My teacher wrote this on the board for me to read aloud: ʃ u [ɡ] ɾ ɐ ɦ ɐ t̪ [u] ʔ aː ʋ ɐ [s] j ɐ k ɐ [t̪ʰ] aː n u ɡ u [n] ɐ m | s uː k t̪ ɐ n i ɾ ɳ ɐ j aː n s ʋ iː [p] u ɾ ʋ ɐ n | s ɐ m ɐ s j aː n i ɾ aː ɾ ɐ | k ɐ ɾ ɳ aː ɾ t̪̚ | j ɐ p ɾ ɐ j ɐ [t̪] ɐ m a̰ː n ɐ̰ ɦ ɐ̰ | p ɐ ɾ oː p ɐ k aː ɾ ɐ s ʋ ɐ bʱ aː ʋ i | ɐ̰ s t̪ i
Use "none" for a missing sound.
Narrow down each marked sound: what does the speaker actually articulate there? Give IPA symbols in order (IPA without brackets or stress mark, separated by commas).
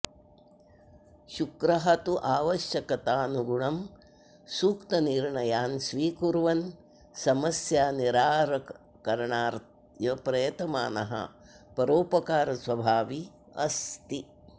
k, u, ʃ, t̪, ɳ, k, t̪